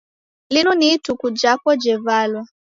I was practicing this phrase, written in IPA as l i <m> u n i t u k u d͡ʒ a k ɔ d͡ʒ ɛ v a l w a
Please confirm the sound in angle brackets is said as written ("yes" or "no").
no